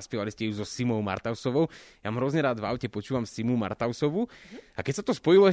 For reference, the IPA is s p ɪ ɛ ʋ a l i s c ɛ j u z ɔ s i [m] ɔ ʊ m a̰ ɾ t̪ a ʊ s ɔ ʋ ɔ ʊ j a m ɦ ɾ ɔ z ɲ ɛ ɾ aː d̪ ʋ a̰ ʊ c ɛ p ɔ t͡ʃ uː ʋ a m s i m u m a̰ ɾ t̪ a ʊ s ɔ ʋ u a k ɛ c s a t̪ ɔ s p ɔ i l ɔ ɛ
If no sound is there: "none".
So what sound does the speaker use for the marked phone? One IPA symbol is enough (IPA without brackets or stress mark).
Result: m